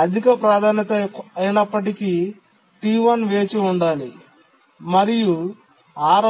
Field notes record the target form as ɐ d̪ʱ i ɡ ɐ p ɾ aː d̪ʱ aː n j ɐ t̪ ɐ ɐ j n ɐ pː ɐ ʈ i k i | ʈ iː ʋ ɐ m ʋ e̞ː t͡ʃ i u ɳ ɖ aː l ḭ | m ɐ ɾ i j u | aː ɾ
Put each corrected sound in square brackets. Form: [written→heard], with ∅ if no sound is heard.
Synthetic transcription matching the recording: ɐ d̪ʱ i [ɡ→k] ɐ p ɾ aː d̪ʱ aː n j ɐ t̪ ɐ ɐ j n ɐ pː ɐ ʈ i k i | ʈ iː ʋ ɐ [m→n] ʋ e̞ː t͡ʃ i u ɳ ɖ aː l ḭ | m ɐ ɾ i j u | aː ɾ